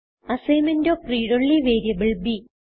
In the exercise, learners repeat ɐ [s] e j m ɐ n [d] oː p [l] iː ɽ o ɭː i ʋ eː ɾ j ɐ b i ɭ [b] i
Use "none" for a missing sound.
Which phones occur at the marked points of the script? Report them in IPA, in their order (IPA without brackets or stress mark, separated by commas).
s, d, r, b